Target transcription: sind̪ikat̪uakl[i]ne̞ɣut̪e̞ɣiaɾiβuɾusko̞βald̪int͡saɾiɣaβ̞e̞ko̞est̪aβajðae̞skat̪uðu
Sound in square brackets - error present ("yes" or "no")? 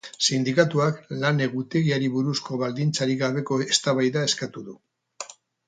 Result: yes